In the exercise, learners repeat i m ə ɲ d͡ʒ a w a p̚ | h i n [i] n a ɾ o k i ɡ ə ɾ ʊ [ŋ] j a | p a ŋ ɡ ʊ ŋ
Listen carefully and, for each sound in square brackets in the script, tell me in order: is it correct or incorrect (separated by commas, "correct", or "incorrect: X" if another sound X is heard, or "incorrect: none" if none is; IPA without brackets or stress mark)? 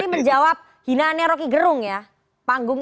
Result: incorrect: a, correct